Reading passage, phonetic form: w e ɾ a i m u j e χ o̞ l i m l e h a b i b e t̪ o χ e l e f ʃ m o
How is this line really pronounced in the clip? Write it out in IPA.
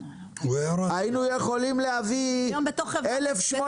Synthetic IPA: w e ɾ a i n u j e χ o̞ l i m l e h a v i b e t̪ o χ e l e f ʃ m o